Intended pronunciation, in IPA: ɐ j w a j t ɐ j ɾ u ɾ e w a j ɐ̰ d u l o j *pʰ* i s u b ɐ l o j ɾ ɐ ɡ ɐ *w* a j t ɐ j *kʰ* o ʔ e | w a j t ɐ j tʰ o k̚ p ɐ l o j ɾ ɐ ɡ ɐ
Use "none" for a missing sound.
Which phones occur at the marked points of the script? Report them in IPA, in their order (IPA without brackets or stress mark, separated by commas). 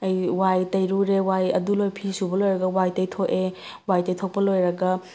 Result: pʰ, w, tʰ